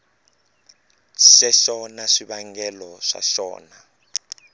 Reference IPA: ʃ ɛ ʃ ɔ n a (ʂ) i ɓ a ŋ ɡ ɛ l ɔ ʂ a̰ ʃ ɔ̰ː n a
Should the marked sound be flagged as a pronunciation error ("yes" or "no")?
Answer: no